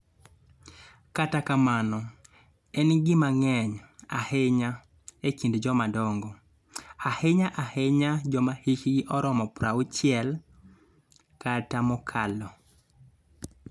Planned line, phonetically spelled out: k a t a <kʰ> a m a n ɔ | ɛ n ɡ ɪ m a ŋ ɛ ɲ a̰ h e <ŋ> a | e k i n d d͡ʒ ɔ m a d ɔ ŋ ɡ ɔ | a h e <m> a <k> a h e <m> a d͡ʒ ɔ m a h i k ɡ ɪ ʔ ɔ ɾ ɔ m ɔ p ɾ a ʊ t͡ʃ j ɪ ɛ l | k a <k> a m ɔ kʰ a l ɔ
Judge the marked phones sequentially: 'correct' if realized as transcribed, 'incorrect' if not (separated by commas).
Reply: incorrect, incorrect, incorrect, incorrect, incorrect, incorrect